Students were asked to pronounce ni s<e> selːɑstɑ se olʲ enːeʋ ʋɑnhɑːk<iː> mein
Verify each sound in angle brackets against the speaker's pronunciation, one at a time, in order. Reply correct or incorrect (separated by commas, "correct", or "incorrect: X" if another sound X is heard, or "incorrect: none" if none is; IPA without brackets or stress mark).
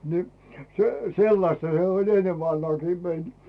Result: correct, correct